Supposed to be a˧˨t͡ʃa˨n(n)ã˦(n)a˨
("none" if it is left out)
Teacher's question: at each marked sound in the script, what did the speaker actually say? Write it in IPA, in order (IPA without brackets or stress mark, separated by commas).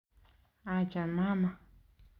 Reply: m, m